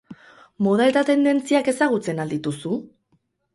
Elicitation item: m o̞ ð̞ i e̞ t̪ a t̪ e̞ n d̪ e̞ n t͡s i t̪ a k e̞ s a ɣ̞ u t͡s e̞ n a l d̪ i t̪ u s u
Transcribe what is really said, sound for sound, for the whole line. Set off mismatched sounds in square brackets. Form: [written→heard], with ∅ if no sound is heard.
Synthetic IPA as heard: m o̞ ð̞ [i→a] e̞ t̪ a t̪ e̞ n d̪ e̞ n t͡s i [t̪→∅] a k e̞ s a ɣ̞ u t͡s e̞ n a l d̪ i t̪ u s u